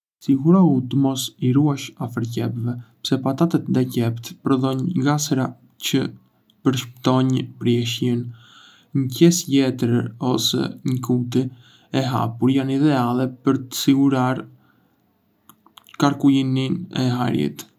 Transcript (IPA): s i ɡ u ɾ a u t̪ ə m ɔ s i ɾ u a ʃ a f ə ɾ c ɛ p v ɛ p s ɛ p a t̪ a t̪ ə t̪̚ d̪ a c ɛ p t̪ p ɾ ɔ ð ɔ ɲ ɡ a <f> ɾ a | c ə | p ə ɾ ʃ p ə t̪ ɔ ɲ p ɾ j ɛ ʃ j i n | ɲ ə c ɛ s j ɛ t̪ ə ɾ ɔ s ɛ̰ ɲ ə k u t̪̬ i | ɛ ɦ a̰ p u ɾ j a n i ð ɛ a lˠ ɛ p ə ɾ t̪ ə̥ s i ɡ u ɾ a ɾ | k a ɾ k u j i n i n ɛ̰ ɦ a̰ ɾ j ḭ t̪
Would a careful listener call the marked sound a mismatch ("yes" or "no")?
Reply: yes